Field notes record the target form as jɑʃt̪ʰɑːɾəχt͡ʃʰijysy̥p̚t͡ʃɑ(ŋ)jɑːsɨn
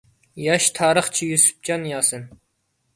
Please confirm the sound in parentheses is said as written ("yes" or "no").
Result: no